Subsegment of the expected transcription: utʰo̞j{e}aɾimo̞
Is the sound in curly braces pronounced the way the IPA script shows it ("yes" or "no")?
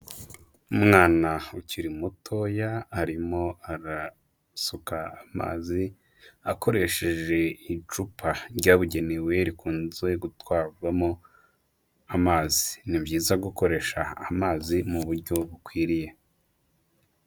no